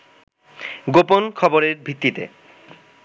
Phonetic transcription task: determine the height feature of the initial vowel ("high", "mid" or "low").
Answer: mid